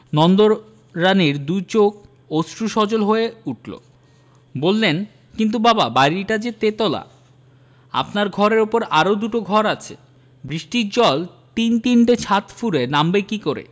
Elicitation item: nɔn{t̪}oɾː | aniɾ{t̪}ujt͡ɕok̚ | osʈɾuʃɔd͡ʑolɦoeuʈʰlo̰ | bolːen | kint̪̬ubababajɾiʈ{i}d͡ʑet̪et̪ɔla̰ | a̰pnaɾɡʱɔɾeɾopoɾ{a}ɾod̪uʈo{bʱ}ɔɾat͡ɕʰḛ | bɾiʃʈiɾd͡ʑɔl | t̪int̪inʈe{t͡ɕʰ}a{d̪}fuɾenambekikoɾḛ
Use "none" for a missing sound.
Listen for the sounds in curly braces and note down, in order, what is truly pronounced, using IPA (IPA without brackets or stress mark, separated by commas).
d̪, d̪, a, a, ɡʱ, t͡ɕʰ, t̪